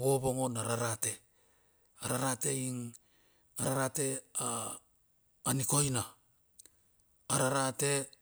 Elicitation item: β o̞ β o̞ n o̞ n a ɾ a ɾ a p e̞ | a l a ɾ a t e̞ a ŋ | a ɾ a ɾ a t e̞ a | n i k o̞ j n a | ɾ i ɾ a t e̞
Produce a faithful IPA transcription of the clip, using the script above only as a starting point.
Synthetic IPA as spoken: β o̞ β o̞ ŋ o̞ n a ɾ a ɾ a t e̞ | a ɾ a ɾ a t e̞ i ŋ | a ɾ a ɾ a t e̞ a | n i k o̞ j n a | ɾ a ɾ a t e̞